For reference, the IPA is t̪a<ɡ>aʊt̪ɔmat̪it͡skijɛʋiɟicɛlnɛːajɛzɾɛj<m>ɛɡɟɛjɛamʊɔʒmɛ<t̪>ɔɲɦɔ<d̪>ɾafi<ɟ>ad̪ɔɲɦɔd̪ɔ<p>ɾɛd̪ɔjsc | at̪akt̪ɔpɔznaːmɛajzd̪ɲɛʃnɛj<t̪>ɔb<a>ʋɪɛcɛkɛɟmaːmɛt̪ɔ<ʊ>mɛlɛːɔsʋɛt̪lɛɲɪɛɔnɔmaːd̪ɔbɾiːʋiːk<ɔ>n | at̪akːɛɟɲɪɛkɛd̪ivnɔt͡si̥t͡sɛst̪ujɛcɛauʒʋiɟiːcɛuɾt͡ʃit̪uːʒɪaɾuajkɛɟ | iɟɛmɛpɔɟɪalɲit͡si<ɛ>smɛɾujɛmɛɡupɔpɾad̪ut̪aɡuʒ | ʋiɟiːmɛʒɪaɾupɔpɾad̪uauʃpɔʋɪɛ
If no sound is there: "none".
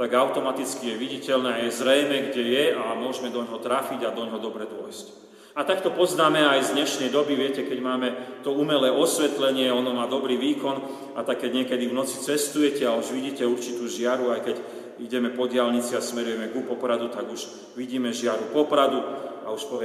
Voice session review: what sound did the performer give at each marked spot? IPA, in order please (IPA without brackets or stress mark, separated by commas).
ɡ, m, d̪, t̪, ɟ, b, d̪, i, u, ɔ, a